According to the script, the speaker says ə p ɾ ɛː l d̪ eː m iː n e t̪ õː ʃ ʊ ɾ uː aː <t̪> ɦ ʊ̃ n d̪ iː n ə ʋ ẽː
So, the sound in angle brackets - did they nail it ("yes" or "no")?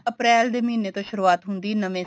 yes